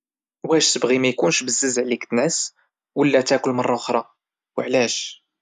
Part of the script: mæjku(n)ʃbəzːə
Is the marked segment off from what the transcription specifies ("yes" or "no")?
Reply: no